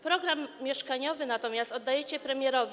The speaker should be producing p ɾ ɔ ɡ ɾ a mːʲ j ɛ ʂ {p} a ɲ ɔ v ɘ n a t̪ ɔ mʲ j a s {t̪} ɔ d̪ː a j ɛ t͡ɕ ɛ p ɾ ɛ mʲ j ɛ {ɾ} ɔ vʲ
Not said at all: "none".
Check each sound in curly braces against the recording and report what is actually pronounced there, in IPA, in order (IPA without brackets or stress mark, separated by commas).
k, t̪, ɾ